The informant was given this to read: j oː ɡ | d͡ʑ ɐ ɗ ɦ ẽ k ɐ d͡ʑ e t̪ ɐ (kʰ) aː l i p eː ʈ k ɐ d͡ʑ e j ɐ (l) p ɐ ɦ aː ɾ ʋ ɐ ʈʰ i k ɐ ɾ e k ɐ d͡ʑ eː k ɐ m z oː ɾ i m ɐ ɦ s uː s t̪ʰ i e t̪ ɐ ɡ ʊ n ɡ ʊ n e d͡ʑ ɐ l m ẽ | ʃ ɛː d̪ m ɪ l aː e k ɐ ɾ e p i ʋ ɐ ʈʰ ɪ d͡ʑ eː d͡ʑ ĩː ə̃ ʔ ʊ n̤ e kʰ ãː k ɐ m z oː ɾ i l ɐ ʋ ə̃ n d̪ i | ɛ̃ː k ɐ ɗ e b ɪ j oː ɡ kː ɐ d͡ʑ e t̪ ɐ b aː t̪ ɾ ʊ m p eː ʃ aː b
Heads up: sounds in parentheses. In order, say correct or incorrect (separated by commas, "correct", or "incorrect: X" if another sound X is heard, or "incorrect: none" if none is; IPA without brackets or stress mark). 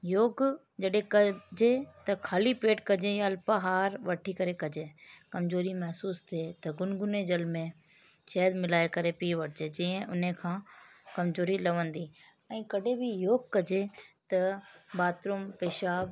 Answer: correct, correct